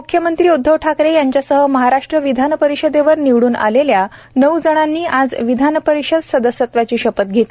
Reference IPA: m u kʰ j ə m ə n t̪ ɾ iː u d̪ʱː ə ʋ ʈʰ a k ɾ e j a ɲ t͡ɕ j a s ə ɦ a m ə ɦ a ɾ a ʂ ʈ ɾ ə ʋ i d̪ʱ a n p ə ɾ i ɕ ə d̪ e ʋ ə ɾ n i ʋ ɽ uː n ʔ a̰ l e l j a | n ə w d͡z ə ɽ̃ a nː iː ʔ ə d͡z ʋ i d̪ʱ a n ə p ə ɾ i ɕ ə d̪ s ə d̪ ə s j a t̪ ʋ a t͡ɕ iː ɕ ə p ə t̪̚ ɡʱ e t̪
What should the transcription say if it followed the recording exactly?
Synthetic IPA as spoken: m u kʰ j ə m ə n t̪ ɾ iː u d̪ʱː ə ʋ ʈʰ a k ɾ e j a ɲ t͡ɕ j a s ə ɦ ə m ə ɦ a ɾ a ʂ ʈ ɾ ə ʋ i d̪ʱ a n p ə ɾ i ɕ ə d̪ e ʋ ə ɾ n i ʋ ɽ uː n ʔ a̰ l e l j a | n ə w d͡z ə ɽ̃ a nː iː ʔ a d͡z ʋ i d̪ʱ a n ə p ə ɾ i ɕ ə d̪ s ə d̪ ə s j ə t̪ ʋ a t͡ɕ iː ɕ ə p ə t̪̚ ɡʱ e t̪